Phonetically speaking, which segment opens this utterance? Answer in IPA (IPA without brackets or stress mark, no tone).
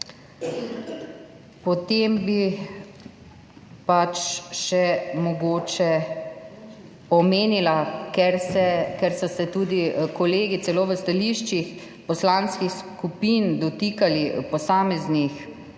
p